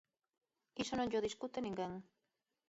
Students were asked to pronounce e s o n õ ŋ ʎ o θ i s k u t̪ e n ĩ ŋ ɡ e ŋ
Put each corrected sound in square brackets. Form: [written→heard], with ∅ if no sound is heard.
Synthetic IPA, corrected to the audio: [e→i] s o n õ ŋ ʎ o [θ→ð] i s k u t̪ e n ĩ ŋ ɡ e ŋ